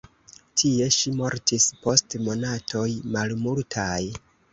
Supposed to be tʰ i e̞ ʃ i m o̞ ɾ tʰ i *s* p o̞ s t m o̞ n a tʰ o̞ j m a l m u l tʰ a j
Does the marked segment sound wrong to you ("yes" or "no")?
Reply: no